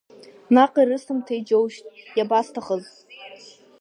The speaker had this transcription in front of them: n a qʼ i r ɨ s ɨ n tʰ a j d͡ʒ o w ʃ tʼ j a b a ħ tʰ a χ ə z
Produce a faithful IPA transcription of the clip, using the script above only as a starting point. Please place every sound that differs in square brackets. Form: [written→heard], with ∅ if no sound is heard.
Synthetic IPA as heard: n a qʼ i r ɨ s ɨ [n→m] tʰ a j d͡ʒ o w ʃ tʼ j a b a [ħ→s] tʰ a χ ə z